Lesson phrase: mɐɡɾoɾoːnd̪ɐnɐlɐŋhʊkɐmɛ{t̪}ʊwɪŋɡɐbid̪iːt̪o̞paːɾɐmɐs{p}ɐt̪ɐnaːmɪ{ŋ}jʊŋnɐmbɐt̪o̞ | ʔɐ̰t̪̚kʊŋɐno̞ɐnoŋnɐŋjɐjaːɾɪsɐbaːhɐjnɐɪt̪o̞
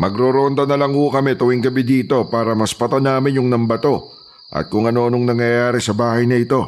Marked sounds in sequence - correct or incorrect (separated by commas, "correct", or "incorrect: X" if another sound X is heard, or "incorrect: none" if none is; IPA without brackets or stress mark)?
correct, correct, incorrect: n